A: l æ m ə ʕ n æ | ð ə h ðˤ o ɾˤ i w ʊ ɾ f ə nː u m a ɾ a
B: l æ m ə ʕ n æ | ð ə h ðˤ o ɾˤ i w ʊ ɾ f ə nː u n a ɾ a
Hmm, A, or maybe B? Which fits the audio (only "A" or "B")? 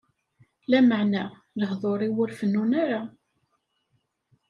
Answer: B